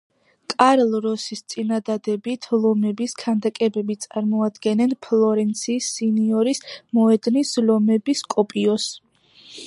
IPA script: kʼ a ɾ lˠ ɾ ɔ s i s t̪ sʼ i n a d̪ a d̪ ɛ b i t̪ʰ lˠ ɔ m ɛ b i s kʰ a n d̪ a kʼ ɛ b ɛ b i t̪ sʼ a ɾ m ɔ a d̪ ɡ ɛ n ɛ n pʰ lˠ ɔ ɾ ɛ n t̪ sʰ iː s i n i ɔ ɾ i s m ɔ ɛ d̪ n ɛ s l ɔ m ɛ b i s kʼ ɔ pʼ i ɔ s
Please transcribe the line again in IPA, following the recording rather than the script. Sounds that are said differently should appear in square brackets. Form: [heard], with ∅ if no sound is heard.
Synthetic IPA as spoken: kʼ a ɾ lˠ ɾ ɔ s i s t̪ sʼ i n a d̪ a d̪ ɛ b i t̪ʰ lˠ ɔ m ɛ b i s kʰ a n d̪ a kʼ ɛ b ɛ b i t̪ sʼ a ɾ m ɔ a d̪ ɡ ɛ n ɛ n pʰ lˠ ɔ ɾ ɛ n t̪ sʰ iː s i n i ɔ ɾ i s m ɔ ɛ d̪ n [i] s l ɔ m ɛ b i s kʼ ɔ pʼ i ɔ s